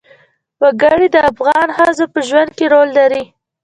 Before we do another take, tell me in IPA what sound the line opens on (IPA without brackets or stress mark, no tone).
w